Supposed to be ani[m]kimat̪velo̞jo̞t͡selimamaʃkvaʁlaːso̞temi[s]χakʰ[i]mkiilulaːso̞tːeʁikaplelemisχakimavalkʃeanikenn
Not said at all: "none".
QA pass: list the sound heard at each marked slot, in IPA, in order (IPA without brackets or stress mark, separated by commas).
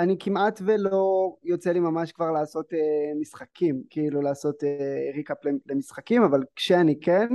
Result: none, s, i